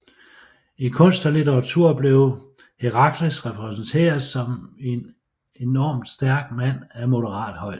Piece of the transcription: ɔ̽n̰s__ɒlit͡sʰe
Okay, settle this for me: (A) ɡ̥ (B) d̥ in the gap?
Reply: B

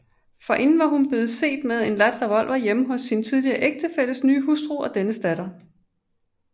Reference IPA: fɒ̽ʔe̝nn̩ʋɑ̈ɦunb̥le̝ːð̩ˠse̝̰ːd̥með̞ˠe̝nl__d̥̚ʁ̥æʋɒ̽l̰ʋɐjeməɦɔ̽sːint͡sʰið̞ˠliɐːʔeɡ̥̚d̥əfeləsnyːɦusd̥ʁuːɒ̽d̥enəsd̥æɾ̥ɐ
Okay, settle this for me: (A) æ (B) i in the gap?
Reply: A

